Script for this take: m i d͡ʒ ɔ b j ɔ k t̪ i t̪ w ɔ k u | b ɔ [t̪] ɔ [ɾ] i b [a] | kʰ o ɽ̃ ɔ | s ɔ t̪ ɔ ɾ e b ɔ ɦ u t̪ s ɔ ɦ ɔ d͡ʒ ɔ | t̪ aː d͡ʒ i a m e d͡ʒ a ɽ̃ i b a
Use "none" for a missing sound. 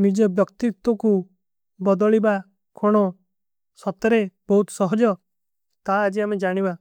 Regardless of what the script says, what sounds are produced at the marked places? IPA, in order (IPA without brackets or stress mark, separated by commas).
d̪, ɭ, a